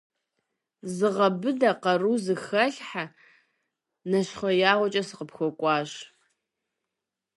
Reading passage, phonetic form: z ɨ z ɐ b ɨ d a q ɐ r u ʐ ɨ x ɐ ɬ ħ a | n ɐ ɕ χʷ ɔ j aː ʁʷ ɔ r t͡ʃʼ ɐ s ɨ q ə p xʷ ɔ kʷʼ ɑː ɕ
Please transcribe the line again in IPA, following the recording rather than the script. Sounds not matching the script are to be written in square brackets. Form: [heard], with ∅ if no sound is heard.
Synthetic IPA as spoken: z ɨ [ʁ] ɐ b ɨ d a q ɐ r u [z] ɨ x ɐ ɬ ħ a | n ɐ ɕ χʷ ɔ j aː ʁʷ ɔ [∅] t͡ʃʼ ɐ s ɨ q ə p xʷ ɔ kʷʼ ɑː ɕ